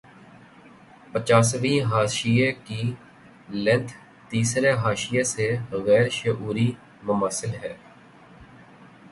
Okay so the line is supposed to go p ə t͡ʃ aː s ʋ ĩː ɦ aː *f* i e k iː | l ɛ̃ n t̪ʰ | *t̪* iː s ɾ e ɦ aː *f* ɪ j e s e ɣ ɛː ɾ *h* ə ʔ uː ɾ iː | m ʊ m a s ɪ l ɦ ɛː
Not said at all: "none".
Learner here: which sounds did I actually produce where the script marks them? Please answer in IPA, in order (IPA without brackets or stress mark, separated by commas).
ʃ, t̪, ʃ, ʃ